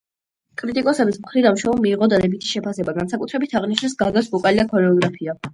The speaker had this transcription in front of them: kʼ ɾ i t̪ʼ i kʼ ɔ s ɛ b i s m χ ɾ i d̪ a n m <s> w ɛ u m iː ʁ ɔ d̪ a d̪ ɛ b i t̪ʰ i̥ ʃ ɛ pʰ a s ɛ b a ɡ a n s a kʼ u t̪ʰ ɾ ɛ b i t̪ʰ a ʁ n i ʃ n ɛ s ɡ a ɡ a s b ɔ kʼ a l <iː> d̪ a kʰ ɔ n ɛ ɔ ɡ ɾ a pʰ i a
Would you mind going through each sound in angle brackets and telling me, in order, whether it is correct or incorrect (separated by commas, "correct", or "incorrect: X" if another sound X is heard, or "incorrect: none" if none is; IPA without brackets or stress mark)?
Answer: incorrect: ʃ, incorrect: i